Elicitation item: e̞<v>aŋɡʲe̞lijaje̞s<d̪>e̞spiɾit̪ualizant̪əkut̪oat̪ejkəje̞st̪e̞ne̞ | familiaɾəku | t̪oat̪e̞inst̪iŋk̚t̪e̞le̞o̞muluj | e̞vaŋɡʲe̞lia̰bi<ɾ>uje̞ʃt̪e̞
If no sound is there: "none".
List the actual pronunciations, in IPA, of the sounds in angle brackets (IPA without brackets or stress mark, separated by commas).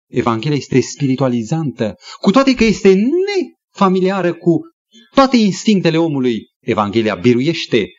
v, t̪, ɾ